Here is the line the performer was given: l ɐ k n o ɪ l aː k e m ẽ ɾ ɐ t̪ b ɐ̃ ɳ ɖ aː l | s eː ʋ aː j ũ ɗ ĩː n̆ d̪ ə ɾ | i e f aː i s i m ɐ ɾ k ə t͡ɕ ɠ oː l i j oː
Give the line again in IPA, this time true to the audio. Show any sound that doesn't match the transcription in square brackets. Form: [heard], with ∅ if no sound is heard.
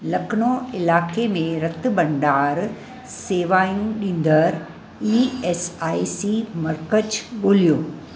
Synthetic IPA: l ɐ k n o ɪ l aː k e m ẽ ɾ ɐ t̪ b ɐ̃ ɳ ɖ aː [ɾ] | s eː ʋ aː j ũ ɗ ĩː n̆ d̪ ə ɾ | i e [s] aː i s i m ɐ ɾ k ə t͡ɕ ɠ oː l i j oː

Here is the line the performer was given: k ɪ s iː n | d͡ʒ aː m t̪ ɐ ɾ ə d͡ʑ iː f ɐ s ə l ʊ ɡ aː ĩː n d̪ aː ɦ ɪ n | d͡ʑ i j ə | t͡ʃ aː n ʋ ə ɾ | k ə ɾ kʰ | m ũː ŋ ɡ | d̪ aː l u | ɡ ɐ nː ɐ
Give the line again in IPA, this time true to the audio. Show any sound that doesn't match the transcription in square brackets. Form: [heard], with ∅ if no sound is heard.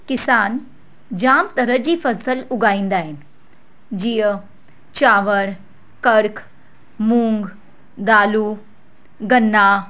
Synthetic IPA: k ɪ s [aː] n | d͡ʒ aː m t̪ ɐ ɾ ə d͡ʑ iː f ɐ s ə l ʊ ɡ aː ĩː n d̪ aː ɦ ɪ n | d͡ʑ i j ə | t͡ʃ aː [∅] ʋ ə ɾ | k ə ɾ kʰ | m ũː ŋ ɡ | d̪ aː l u | ɡ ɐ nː [a]

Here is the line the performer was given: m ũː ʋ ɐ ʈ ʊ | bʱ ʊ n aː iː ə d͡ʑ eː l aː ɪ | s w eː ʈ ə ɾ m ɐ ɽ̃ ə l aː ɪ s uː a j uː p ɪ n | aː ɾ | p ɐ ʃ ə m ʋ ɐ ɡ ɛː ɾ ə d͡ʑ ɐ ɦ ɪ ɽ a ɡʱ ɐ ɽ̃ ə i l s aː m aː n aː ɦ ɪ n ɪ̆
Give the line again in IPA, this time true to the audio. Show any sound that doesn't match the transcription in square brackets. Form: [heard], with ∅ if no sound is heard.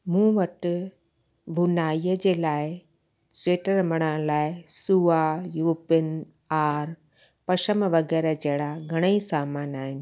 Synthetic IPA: m ũː ʋ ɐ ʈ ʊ | bʱ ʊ n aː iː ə d͡ʑ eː l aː ɪ | s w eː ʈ ə ɾ m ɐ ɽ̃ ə l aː ɪ s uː a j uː p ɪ n | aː ɾ | p ɐ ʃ ə m ʋ ɐ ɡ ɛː ɾ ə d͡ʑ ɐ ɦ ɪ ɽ a ɡʱ ɐ ɽ̃ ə i [∅] s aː m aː n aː ɦ ɪ n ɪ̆

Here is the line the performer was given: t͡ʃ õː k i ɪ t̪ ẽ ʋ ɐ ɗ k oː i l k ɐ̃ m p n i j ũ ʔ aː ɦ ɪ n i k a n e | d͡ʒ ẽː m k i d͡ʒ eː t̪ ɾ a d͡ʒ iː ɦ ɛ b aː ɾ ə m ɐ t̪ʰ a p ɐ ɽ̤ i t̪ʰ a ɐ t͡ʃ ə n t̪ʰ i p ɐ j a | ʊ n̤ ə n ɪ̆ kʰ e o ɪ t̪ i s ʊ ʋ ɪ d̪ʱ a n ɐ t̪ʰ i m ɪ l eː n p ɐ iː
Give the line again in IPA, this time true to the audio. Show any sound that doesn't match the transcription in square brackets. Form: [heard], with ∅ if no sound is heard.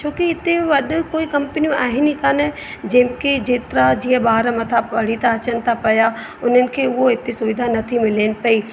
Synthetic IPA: t͡ʃ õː k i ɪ t̪ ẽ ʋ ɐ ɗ k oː i [∅] k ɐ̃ m p n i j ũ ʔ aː ɦ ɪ n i k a n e | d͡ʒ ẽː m k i d͡ʒ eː t̪ ɾ a d͡ʒ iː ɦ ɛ b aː ɾ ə m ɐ t̪ʰ a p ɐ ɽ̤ i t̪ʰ a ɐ t͡ʃ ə n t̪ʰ [a] p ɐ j a | ʊ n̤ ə n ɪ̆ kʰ e o ɪ t̪ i s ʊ ʋ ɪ d̪ʱ a n ɐ t̪ʰ i m ɪ l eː n p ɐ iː

